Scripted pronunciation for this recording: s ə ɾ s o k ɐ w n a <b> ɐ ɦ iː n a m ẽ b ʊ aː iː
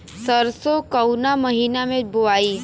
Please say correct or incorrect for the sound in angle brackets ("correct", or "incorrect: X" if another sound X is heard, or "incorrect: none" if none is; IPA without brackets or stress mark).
incorrect: m